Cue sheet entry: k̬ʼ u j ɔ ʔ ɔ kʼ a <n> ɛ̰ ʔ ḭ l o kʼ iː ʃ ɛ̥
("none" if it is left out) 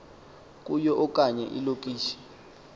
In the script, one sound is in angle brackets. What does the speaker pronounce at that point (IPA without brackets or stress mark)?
ɲ